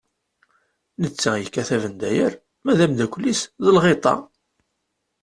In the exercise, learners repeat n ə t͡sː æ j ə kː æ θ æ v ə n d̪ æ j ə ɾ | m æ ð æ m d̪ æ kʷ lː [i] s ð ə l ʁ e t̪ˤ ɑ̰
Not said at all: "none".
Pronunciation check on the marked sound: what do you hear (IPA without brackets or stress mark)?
i